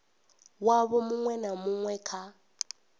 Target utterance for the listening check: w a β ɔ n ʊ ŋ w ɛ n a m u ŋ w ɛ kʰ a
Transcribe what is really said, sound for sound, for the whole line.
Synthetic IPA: w a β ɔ m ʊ ŋ w ɛ n a m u ŋ w ɛ kʰ a